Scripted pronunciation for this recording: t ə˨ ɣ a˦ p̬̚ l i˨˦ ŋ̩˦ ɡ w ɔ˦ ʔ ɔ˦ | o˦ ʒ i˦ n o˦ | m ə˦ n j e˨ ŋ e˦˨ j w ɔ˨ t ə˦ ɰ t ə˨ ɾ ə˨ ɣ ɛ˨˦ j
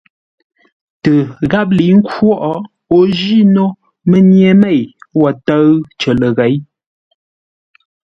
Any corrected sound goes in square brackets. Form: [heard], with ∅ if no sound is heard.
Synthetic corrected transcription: t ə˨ ɣ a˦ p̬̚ l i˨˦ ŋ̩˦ [k] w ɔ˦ ʔ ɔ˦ | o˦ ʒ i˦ n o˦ | m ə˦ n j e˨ [m] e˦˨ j w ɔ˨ t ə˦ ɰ [t͡ʃ] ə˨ [l] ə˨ ɣ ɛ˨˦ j